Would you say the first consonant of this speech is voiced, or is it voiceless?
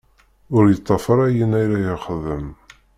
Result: voiced